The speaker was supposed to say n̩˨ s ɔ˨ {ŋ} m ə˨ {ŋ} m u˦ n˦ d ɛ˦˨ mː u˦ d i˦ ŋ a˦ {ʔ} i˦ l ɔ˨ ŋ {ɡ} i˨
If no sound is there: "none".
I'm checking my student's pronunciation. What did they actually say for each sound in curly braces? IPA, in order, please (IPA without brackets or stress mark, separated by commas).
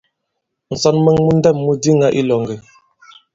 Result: n, ŋ, ʔ, ɡ